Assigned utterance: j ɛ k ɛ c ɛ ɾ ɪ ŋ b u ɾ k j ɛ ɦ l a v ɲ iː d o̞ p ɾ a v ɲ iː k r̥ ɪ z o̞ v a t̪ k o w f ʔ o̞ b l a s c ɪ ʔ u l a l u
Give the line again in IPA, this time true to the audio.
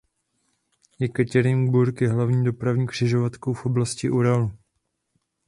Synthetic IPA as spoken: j ɛ k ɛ c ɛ ɾ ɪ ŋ b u ɾ k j ɛ ɦ l a v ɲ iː d o̞ p ɾ a v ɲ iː k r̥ ɪ ʒ o̞ v a t̪ k o w f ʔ o̞ b l a s c ɪ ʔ u ɾ a l u